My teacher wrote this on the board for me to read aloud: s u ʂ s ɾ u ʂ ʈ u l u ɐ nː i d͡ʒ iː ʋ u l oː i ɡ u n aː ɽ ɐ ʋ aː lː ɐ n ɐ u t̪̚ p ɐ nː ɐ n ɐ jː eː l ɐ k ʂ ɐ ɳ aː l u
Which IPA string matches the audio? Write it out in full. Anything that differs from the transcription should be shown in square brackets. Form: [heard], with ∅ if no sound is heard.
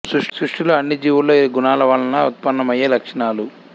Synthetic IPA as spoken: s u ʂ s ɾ u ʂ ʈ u l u ɐ nː i d͡ʒ iː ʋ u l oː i ɡ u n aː [l] ɐ ʋ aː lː ɐ n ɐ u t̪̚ p ɐ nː ɐ [m] ɐ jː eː l ɐ k ʂ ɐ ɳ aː l u